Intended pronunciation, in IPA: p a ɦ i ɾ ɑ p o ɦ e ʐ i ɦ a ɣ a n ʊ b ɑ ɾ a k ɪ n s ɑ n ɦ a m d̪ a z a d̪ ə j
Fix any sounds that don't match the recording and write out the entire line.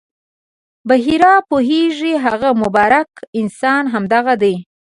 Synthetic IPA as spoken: b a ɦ i ɾ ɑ p o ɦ e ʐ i ɦ a ɣ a m ʊ b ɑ ɾ a k ɪ n s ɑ n ɦ a m d̪ a ɣ a d̪ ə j

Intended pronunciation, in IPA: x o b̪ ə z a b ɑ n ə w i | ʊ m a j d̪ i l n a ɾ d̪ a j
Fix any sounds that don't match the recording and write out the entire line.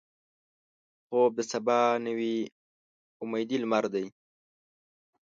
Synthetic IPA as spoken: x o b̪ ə s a b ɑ n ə w i | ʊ m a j d̪ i l m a ɾ d̪ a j

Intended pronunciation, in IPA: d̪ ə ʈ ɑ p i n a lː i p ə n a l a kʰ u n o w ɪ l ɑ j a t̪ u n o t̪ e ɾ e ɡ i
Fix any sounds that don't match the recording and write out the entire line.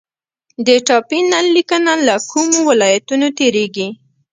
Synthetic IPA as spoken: d̪ ə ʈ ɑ p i n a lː i k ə n a l a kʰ u m o w ɪ l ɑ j a t̪ u n o t̪ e ɾ e ɡ i

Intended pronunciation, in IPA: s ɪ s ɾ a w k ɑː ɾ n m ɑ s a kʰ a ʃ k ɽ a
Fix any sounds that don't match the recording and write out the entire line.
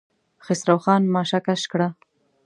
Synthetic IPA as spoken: x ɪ s ɾ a w x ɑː n m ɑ ʃ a k a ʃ k ɽ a

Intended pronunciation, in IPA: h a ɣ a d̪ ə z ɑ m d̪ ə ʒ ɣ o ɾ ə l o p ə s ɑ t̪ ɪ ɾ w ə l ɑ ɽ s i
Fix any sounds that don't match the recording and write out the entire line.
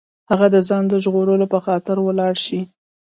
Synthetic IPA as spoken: h a ɣ a d̪ ə z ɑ n d̪ ə ʒ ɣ o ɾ ə l o p ə x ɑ t̪ ɪ ɾ w ə l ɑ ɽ ʃ i

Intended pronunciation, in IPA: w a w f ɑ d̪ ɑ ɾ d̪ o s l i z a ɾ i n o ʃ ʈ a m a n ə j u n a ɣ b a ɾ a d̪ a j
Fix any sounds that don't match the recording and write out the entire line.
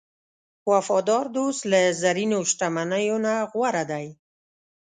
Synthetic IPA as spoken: w a f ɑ d̪ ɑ ɾ d̪ o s l a z a ɾ i n o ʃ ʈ a m a n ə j o n a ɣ w a ɾ a d̪ a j

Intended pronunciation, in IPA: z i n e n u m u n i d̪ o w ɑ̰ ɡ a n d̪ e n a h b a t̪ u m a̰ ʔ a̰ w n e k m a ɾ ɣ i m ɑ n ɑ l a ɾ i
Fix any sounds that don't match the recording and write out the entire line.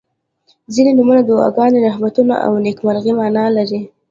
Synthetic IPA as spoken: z i n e n u m u n a d̪ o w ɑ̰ ɡ ɑ n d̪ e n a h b a t̪ u n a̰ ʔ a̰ w n e k m a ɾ ɣ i m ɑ n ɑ l a ɾ i

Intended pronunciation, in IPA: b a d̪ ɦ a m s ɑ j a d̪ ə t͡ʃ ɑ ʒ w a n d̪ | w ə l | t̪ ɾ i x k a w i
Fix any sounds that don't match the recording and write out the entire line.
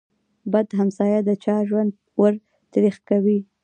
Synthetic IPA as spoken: b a d̪ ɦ a m s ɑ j a d̪ ə t͡ʃ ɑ ʒ w a n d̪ | w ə ɾ | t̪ ɾ i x k a w i

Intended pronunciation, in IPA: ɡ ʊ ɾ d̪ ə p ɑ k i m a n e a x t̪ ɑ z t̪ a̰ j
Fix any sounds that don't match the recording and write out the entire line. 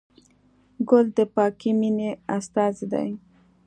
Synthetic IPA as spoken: ɡ ʊ l d̪ ə p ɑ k i m i n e a s t̪ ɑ z d̪ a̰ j

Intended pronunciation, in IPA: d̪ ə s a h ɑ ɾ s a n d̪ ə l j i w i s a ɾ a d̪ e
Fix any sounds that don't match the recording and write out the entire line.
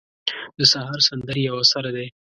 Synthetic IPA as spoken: d̪ ə s a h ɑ ɾ s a n d̪ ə ɾ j a w a s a ɾ a d̪ e

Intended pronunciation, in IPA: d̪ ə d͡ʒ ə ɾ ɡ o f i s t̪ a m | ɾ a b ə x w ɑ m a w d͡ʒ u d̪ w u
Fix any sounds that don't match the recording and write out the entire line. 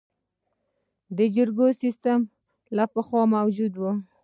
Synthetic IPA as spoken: d̪ ə d͡ʒ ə ɾ ɡ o s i s t̪ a m | l a p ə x w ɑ m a w d͡ʒ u d̪ w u

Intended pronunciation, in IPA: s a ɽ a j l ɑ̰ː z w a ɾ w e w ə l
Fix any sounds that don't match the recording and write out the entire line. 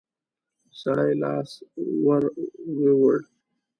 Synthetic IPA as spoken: s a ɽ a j l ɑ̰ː s w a ɾ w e w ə ɽ

